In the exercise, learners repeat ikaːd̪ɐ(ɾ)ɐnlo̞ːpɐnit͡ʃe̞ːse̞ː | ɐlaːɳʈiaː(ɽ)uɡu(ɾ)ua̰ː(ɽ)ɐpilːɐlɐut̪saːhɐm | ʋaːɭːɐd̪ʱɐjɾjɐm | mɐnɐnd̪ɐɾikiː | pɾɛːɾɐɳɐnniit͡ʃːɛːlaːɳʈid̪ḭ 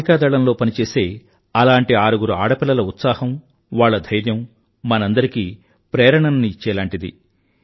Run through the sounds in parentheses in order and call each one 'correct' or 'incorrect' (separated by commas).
incorrect, incorrect, correct, correct